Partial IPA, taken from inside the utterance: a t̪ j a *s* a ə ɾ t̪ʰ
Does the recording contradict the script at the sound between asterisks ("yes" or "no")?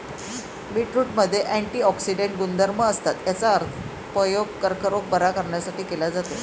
yes